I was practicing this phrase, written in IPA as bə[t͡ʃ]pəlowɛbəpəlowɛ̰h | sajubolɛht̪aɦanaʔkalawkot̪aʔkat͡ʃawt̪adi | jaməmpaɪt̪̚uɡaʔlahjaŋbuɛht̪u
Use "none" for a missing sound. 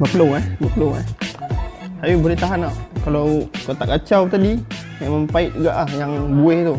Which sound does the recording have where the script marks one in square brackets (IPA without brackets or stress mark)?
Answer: none